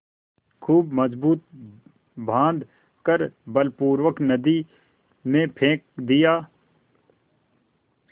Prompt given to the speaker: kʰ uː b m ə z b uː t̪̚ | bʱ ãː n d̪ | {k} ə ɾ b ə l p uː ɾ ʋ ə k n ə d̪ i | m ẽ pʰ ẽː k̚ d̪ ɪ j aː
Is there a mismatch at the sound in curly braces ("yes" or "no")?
no